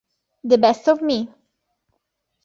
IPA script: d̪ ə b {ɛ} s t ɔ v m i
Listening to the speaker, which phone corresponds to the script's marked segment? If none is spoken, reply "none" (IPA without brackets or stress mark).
ɛ